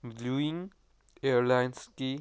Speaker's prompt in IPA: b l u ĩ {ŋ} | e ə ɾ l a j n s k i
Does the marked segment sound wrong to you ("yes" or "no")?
no